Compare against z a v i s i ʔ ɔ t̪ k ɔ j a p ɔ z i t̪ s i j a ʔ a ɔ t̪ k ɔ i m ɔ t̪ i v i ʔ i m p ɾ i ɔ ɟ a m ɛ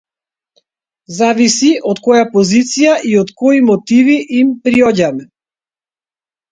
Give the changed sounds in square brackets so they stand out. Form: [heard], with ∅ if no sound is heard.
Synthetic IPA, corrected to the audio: z a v i s i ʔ ɔ t̪ k ɔ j a p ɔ z i t̪ s i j a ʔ [i] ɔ t̪ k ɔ i m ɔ t̪ i v i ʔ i m p ɾ i ɔ ɟ a m ɛ